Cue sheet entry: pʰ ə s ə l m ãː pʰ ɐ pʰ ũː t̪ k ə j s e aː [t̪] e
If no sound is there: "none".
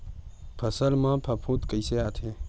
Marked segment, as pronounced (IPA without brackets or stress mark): t̪ʰ